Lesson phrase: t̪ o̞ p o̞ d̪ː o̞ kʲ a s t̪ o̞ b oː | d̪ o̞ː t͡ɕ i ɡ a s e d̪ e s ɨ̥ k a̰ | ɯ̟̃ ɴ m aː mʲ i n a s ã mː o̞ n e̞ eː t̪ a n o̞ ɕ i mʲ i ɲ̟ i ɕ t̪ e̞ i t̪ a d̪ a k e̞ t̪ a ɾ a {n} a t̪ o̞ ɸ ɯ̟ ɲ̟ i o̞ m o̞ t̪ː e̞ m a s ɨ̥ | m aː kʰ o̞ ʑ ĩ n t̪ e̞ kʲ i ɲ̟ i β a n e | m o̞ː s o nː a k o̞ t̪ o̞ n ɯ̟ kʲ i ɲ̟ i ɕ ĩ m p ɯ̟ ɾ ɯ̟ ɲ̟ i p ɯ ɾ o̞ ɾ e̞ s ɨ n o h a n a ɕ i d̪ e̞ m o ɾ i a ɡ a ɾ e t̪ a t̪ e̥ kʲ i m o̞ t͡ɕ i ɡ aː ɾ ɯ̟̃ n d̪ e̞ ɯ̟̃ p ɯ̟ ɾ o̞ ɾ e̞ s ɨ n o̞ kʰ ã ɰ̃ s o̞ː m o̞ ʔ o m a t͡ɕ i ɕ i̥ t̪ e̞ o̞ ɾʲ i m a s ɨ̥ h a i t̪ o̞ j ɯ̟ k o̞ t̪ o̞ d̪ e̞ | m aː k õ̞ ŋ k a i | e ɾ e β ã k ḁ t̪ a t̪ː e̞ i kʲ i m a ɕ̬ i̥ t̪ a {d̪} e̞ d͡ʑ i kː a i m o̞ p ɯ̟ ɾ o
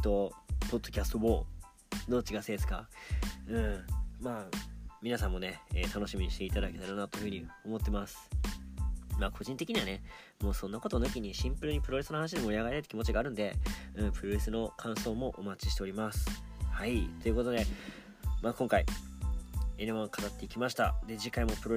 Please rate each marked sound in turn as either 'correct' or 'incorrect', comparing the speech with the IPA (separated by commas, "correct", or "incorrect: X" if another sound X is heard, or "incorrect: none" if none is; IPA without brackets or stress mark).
correct, correct